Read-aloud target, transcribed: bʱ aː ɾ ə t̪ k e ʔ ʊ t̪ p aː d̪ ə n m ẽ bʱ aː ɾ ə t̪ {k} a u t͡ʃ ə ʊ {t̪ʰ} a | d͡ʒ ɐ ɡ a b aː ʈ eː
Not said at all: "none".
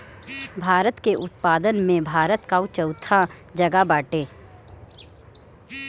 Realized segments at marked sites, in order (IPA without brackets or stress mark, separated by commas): k, t̪ʰ